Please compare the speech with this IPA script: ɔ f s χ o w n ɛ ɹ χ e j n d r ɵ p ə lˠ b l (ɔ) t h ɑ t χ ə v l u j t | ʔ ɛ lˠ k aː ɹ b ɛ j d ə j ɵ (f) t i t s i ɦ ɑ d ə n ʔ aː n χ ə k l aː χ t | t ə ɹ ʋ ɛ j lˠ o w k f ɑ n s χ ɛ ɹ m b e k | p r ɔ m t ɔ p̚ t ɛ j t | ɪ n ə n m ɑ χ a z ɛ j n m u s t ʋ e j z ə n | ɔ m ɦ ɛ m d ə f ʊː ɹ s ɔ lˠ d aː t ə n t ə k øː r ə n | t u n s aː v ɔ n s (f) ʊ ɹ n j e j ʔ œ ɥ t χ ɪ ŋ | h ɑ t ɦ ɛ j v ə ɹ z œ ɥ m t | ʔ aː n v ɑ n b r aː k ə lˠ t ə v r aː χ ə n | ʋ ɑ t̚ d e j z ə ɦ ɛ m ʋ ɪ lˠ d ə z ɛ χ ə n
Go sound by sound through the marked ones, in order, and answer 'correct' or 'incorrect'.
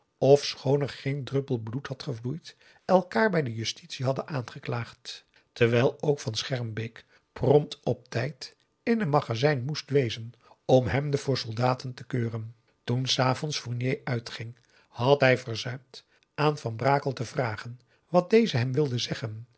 incorrect, incorrect, correct

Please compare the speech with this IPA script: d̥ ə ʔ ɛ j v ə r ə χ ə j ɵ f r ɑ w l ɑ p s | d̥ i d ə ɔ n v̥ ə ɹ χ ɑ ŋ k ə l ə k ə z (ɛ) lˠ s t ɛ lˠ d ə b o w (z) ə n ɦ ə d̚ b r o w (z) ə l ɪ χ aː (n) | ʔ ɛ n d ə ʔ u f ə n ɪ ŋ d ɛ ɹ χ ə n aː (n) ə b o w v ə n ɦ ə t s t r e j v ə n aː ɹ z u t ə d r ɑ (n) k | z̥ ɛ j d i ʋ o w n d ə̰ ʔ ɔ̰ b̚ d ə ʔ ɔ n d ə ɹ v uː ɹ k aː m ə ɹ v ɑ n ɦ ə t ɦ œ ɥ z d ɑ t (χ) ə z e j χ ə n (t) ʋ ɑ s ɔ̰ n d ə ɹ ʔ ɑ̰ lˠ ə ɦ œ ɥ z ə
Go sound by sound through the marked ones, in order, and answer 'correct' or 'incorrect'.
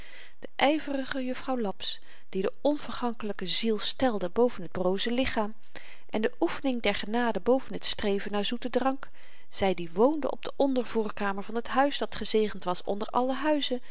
incorrect, incorrect, correct, incorrect, incorrect, incorrect, correct, correct

